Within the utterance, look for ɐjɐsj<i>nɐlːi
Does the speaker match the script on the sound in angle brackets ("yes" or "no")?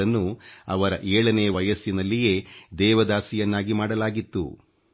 yes